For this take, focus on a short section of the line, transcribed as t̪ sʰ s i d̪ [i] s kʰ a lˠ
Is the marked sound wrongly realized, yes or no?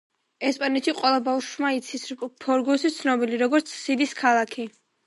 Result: no